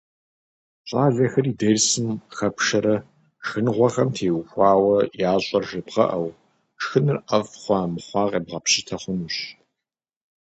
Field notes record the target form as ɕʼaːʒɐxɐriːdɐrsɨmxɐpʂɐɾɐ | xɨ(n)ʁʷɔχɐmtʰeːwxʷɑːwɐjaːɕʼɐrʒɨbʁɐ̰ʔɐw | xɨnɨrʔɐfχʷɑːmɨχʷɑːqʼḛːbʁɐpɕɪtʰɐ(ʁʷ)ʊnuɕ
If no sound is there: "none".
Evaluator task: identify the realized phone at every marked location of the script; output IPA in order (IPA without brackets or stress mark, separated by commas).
n, χʷ